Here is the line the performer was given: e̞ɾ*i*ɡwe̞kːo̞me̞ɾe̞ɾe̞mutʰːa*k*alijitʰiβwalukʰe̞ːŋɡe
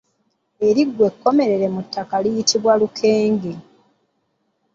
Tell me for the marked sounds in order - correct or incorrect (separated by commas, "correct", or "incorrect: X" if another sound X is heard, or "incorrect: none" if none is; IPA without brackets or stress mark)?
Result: correct, correct